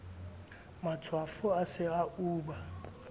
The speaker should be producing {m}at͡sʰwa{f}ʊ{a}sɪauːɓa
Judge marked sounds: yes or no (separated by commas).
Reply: yes, yes, yes